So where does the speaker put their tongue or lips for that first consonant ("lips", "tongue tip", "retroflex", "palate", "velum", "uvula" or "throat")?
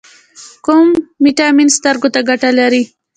velum